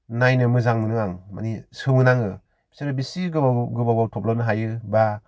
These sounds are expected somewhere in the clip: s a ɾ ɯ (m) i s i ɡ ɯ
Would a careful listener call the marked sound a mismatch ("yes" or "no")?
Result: yes